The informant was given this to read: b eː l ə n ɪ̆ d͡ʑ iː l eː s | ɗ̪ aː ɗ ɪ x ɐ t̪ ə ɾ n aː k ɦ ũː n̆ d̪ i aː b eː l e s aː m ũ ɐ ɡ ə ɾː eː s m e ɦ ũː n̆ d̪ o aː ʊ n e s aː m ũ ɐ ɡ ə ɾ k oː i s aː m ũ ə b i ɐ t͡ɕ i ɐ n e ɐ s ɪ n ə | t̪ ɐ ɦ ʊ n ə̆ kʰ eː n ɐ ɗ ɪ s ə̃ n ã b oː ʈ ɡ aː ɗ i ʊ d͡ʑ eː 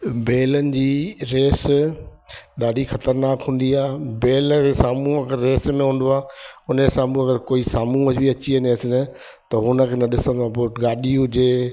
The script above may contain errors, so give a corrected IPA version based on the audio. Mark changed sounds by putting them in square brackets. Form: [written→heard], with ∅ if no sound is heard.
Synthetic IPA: b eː l ə n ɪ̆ d͡ʑ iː [l→ɾ] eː s | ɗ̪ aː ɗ [ɪ→i] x ɐ t̪ ə ɾ n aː k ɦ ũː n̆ d̪ i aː b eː l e s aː m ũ ɐ ɡ ə ɾː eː s m [e→ẽ] ɦ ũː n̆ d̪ o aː ʊ n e s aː m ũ ɐ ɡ ə ɾ k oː i s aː m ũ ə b i ɐ t͡ɕ i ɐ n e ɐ s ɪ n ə | t̪ ɐ ɦ ʊ n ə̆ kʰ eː n ɐ ɗ ɪ s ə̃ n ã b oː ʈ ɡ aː ɗ i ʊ d͡ʑ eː